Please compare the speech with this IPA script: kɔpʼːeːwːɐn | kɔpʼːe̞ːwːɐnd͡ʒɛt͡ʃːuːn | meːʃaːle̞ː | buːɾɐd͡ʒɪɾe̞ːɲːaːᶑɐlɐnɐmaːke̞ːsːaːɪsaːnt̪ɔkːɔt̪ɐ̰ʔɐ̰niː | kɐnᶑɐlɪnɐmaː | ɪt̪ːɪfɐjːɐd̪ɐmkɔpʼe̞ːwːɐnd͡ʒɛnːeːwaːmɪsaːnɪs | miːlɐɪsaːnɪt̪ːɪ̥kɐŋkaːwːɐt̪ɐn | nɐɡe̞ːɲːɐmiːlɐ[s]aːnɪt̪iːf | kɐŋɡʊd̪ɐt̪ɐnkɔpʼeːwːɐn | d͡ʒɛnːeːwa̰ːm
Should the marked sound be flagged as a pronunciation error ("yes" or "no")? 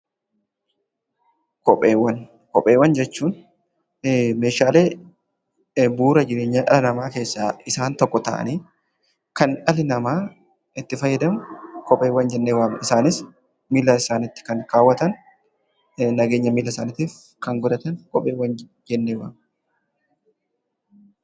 no